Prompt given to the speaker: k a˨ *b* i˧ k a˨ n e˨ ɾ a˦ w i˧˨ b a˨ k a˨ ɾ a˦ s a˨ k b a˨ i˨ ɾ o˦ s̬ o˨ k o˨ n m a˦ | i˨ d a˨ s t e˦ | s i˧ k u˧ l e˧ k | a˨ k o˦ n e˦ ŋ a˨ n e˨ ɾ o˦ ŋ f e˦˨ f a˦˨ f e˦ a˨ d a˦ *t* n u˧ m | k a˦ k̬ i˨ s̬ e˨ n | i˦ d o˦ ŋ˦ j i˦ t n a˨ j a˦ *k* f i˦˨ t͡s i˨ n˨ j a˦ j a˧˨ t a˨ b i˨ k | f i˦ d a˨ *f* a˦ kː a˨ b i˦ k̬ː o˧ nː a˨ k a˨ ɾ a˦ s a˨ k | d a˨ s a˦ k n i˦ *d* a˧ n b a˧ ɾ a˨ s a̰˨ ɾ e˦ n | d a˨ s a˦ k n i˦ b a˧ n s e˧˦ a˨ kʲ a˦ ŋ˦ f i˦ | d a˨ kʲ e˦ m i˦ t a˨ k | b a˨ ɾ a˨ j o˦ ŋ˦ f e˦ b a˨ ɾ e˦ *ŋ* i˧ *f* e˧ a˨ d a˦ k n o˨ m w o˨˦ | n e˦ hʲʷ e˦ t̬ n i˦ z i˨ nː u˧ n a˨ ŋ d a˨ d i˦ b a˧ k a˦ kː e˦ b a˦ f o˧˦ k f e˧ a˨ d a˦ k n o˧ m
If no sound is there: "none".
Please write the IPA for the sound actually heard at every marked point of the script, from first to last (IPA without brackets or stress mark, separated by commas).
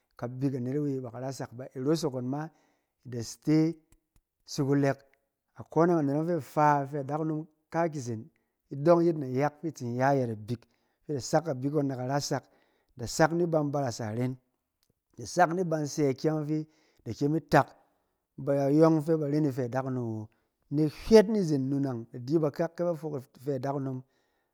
b, k, k, s, b, n, f